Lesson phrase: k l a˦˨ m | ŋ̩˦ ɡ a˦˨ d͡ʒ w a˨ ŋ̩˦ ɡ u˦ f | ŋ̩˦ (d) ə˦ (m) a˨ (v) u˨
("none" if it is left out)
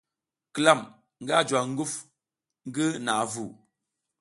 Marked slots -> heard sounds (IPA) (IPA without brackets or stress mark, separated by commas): ɡ, n, v